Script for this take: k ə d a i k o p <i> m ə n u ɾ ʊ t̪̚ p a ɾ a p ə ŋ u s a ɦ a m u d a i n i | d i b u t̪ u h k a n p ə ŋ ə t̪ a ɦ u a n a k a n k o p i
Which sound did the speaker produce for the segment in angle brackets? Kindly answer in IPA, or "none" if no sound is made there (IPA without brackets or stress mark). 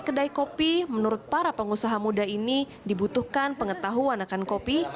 i